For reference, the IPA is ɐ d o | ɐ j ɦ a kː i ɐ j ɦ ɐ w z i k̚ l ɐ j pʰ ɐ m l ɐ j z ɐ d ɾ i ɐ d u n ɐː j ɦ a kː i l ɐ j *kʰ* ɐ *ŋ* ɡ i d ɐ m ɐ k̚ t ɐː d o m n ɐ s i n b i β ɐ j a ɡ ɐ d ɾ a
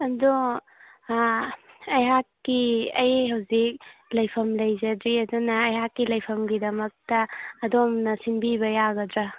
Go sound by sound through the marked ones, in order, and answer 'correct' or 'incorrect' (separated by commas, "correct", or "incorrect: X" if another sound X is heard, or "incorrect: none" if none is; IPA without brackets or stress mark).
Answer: incorrect: pʰ, incorrect: m